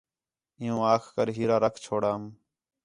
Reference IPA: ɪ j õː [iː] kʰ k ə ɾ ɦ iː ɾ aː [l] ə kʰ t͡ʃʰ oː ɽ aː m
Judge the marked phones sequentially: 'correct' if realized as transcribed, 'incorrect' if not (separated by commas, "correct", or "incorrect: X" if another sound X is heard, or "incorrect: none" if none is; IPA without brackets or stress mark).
incorrect: aː, incorrect: ɾ